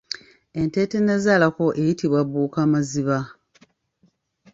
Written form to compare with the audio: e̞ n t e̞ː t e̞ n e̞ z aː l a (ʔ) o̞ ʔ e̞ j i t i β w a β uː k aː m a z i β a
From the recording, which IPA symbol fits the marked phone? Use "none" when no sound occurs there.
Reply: k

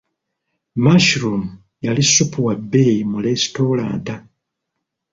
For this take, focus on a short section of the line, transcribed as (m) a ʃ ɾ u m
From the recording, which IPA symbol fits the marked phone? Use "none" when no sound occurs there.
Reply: m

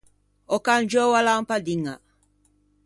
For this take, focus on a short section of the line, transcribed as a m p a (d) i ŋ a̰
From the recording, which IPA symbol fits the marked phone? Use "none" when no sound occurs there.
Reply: d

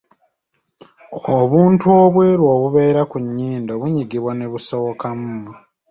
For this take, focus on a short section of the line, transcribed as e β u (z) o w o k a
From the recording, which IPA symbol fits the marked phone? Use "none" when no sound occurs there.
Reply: s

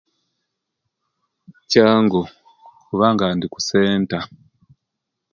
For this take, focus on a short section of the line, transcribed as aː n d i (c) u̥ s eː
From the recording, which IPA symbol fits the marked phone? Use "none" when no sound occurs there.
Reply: k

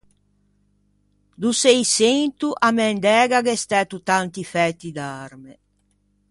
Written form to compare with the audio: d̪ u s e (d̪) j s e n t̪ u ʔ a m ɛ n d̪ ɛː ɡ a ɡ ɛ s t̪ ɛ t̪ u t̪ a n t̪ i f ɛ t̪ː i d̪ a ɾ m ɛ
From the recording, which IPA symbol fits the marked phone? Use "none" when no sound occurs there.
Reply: none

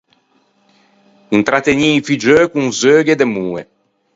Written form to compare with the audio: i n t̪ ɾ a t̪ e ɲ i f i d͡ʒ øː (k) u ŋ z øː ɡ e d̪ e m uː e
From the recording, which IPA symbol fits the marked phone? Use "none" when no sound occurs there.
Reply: k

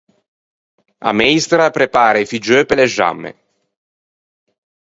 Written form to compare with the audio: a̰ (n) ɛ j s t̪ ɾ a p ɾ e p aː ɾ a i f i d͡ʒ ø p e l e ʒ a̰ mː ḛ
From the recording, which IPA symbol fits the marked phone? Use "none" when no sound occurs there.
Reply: m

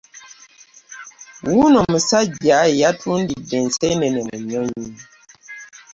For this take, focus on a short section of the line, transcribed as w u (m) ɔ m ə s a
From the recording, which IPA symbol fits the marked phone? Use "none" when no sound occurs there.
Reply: n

